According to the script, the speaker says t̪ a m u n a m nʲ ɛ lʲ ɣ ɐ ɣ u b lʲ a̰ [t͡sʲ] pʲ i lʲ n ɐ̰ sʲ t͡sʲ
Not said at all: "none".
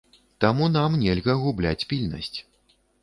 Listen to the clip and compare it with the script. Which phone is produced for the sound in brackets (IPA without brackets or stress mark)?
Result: t͡sʲ